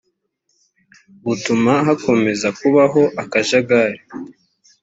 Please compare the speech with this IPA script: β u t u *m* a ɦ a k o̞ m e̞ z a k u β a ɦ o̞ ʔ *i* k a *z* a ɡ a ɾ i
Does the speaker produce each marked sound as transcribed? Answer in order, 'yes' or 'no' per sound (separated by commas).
yes, no, no